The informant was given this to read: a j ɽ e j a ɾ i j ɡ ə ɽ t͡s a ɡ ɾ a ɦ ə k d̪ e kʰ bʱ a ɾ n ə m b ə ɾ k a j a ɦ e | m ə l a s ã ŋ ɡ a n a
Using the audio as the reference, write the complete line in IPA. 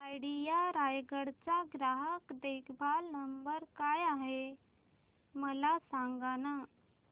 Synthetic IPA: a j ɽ i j a ɾ a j ɡ ə ɽ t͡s a ɡ ɾ a ɦ ə k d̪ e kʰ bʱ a l n ə m b ə ɾ k a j a ɦ e | m ə l a s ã ŋ ɡ a n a